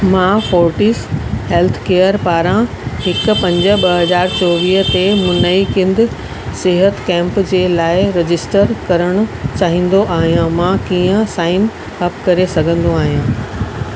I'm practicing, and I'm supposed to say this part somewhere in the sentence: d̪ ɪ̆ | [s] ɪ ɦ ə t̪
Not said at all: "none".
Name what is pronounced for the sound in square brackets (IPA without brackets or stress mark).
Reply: s